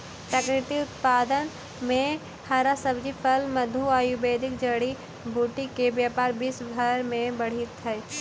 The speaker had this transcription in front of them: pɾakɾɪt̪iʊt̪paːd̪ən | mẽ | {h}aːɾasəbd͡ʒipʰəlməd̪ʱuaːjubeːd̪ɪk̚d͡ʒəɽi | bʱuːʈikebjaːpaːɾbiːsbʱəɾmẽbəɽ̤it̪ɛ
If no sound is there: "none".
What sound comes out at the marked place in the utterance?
h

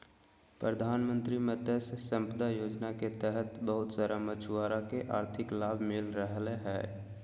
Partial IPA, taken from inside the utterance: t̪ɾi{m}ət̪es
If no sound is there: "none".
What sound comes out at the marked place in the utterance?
m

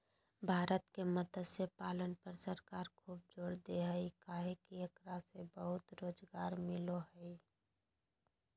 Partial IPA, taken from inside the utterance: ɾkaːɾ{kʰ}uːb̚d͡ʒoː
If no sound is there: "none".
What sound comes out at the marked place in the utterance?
kʰ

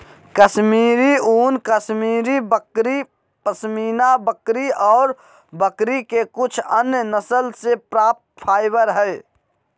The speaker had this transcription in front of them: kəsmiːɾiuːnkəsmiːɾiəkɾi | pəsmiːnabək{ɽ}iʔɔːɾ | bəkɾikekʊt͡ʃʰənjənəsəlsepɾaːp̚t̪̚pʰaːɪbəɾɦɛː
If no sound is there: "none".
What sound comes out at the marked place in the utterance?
ɾ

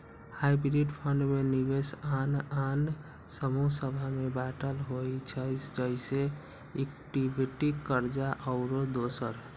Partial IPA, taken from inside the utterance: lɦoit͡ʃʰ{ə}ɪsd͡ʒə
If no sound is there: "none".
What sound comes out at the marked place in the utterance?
ə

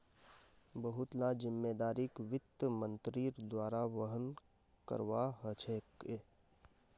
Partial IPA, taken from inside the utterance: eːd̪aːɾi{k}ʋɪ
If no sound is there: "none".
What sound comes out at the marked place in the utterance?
k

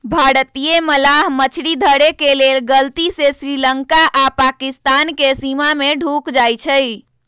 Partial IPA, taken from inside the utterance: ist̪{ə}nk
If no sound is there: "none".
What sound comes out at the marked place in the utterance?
a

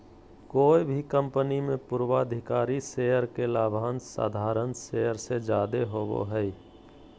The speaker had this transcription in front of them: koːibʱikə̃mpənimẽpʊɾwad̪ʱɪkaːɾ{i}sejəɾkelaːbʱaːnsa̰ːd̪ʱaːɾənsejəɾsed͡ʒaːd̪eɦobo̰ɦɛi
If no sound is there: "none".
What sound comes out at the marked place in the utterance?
i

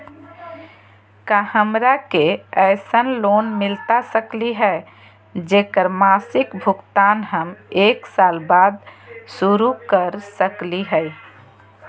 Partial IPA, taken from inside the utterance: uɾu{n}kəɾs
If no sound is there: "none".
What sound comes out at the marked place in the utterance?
none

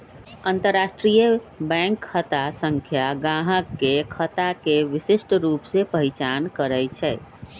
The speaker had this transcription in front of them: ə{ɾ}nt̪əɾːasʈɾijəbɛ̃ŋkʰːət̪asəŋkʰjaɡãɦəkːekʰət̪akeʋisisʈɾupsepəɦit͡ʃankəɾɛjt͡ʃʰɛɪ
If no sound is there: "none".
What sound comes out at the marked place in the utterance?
none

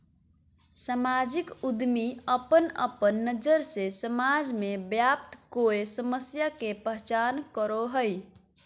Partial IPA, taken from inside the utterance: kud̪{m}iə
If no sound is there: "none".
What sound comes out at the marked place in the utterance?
m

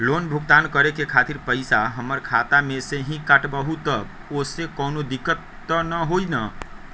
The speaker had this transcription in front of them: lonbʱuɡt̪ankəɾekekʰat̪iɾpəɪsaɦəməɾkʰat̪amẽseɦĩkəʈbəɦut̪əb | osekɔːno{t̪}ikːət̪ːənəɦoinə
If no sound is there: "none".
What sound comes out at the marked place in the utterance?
d̪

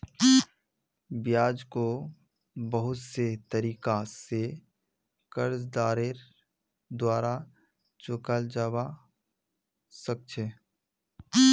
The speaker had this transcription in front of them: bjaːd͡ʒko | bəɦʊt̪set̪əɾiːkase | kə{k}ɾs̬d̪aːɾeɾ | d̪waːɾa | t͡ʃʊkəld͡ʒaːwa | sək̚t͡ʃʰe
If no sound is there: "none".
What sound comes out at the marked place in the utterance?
none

